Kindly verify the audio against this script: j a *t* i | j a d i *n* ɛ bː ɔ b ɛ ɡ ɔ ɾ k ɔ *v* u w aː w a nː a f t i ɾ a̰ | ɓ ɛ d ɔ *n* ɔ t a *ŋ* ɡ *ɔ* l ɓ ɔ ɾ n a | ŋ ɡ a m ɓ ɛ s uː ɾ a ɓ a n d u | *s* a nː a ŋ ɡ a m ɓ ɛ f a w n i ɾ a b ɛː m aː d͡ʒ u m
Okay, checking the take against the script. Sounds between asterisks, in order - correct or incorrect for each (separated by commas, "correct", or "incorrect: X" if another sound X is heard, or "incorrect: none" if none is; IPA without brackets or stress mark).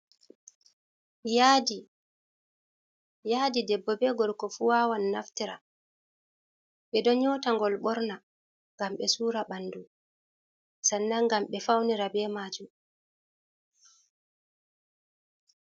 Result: incorrect: d, incorrect: d, incorrect: f, incorrect: ɲ, correct, correct, correct